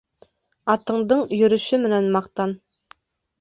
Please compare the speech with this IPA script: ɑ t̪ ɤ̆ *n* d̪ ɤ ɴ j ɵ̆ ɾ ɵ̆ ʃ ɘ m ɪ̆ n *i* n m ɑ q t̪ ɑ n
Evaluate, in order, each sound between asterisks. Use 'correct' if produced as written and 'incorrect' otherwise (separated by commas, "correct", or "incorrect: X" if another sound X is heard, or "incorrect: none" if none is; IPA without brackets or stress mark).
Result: incorrect: ɴ, incorrect: æ